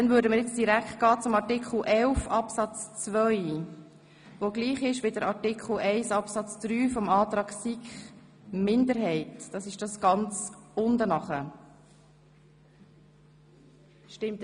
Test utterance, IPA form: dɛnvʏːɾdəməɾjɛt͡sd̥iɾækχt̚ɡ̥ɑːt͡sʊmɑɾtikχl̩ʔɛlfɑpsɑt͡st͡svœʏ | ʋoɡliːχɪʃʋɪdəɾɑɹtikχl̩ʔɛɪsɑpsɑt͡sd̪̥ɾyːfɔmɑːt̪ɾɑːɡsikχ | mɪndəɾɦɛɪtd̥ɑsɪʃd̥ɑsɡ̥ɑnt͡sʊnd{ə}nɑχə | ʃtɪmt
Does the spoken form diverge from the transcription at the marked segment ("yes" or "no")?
no